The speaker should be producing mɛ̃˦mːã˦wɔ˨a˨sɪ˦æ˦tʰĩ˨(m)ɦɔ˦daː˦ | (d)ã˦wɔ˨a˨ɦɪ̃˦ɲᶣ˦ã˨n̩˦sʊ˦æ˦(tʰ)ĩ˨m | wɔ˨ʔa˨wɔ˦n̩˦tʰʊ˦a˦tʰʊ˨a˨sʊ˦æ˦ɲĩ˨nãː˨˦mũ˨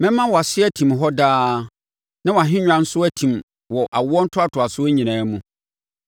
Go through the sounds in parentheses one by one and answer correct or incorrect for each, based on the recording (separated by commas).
correct, incorrect, correct